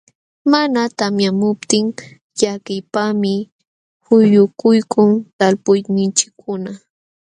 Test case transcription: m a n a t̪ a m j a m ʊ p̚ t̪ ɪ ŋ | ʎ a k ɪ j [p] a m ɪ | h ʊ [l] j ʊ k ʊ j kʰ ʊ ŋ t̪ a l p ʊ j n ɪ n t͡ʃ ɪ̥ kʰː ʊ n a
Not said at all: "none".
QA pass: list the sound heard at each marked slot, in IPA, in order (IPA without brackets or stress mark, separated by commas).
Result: p, none